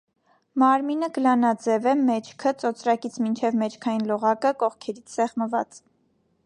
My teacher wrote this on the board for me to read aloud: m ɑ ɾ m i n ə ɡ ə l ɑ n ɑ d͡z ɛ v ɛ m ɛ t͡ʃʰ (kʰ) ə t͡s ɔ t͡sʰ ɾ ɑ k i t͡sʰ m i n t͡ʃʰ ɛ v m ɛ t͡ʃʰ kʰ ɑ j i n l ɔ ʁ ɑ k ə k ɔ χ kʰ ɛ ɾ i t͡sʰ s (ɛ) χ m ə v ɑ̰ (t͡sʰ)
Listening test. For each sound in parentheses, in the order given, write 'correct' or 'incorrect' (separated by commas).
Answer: correct, correct, incorrect